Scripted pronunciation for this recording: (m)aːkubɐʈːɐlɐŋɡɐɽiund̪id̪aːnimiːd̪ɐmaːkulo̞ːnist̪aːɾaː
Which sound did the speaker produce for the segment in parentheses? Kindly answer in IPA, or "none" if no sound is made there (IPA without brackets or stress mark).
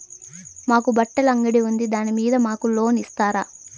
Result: m